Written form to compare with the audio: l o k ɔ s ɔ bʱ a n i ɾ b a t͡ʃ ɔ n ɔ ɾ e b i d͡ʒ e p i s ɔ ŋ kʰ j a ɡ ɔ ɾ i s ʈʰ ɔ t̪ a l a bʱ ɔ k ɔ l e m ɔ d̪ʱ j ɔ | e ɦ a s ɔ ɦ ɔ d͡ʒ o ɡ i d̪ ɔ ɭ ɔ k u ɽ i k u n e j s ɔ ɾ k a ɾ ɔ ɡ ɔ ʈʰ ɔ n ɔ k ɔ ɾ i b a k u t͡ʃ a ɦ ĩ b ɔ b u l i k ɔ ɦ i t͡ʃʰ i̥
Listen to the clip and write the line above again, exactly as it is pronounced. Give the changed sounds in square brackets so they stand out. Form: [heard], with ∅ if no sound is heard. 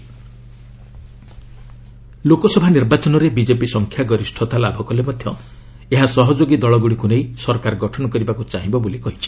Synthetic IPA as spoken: l o k ɔ s ɔ bʱ a n i ɾ b a t͡ʃ ɔ n ɔ ɾ e b i d͡ʒ e p i s ɔ ŋ kʰ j a ɡ ɔ ɾ i s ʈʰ ɔ t̪ a l a bʱ ɔ k ɔ l e m ɔ d̪ʱ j ɔ | e ɦ a s ɔ ɦ ɔ d͡ʒ o ɡ i d̪ ɔ ɭ ɔ [ɡ] u ɽ i k u n e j s ɔ ɾ k a ɾ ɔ ɡ ɔ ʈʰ ɔ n ɔ k ɔ ɾ i b a k u t͡ʃ a ɦ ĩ b ɔ b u l i k ɔ ɦ i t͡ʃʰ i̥

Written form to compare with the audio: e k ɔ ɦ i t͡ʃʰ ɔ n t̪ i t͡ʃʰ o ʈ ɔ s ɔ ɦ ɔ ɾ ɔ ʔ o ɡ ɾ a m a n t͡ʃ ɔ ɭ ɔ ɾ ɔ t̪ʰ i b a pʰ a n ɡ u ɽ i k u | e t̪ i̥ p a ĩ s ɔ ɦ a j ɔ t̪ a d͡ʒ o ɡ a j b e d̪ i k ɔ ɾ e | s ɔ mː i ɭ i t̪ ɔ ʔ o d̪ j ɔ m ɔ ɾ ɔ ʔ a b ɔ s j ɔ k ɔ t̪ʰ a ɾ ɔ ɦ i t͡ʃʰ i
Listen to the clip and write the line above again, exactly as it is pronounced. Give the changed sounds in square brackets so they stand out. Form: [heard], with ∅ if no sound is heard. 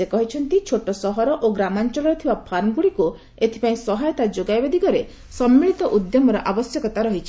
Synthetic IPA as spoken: e k ɔ ɦ i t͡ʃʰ ɔ n t̪ i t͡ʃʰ o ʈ ɔ s ɔ ɦ ɔ ɾ ɔ ʔ o ɡ ɾ a m a n t͡ʃ ɔ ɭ ɔ ɾ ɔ t̪ʰ i b a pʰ a n ɡ u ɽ i k u | e [t̪ʰ] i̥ p a ĩ s ɔ ɦ a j ɔ t̪ a d͡ʒ o ɡ a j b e d̪ i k ɔ ɾ e | s ɔ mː i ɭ i t̪ ɔ ʔ [u] d̪ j ɔ m ɔ ɾ ɔ ʔ a b ɔ s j ɔ k ɔ [t̪] a ɾ ɔ ɦ i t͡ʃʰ i

